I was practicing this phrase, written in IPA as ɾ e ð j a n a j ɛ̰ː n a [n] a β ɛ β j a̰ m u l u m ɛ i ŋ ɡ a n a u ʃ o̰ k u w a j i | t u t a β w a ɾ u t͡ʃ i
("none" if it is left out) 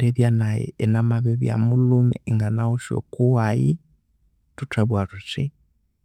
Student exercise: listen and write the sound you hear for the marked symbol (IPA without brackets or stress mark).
m